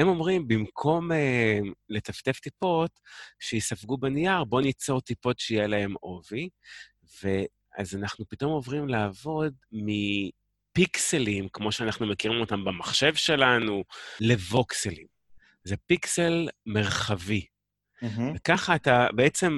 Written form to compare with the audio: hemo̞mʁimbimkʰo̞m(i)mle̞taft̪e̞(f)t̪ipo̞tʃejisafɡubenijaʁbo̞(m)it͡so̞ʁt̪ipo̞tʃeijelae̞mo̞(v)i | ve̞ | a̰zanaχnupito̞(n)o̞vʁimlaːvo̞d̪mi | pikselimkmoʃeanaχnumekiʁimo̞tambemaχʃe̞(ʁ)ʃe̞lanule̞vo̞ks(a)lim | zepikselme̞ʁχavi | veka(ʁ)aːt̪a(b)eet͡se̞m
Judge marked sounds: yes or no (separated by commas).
no, yes, no, yes, no, no, no, no, yes